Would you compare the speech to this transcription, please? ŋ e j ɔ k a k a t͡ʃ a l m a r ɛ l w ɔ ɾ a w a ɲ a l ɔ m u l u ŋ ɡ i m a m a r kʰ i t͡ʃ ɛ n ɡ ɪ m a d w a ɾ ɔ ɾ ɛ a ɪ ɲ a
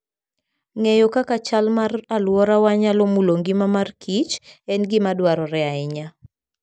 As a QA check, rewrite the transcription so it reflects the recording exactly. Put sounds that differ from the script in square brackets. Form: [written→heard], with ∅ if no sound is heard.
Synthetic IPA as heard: ŋ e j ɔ k a k a t͡ʃ a l m a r [ɛ→a] l w ɔ ɾ a w a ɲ a l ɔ m u l [u→o] ŋ ɡ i m a m a r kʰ i t͡ʃ ɛ n ɡ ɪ m a d w a ɾ ɔ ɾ ɛ a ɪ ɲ a